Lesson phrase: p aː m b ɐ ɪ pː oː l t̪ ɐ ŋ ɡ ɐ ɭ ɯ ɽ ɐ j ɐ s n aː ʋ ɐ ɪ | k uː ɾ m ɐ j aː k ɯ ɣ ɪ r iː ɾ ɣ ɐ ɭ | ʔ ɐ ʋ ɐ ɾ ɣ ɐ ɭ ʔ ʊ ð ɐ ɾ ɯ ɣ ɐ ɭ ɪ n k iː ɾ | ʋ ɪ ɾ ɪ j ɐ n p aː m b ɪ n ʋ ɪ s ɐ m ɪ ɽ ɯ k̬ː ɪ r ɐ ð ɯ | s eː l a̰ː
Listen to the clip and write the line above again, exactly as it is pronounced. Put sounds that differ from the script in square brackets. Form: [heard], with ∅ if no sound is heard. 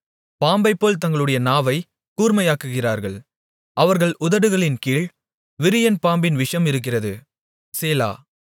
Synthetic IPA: p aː m b ɐ ɪ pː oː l t̪ ɐ ŋ ɡ ɐ ɭ ɯ ɽ ɐ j ɐ [∅] n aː ʋ ɐ ɪ | k uː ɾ m ɐ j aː k ɯ ɣ ɪ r [aː] ɾ ɣ ɐ ɭ | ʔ ɐ ʋ ɐ ɾ ɣ ɐ ɭ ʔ ʊ ð ɐ [ɽ] ɯ ɣ ɐ ɭ ɪ n k iː [ɭ] | ʋ ɪ ɾ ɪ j ɐ n p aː m b ɪ n ʋ ɪ [ʂ] ɐ m ɪ [ɾ] ɯ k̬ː ɪ r ɐ ð ɯ | s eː l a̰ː